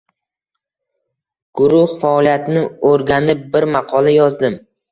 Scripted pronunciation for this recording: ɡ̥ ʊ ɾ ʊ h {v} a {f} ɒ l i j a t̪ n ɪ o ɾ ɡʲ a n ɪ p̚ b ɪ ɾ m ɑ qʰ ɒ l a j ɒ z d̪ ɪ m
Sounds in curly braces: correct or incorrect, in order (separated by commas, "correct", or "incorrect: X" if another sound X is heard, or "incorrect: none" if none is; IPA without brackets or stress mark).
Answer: incorrect: f, incorrect: none